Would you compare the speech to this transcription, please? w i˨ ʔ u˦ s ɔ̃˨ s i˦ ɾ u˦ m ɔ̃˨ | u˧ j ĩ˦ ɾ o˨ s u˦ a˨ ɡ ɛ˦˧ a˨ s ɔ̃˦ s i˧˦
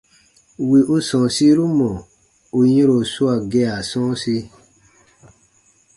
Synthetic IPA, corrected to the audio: w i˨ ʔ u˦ s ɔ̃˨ s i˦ ɾ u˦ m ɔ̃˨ | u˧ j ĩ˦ ɾ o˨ s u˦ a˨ ɡ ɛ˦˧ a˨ s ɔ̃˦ s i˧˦